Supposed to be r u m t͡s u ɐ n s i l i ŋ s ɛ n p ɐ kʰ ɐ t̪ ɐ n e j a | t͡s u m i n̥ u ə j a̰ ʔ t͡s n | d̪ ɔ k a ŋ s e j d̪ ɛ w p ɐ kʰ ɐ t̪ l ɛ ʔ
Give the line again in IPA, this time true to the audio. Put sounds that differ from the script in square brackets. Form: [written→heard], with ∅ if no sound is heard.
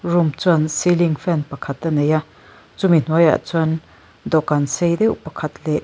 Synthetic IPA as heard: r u m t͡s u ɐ n s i l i ŋ [s→f] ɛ n p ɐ kʰ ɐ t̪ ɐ n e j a | t͡s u m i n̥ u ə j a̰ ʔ t͡s n | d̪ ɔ k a [ŋ→n] s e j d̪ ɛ w p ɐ kʰ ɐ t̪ l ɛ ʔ